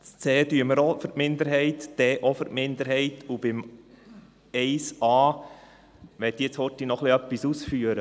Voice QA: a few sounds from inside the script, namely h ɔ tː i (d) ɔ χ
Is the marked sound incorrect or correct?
incorrect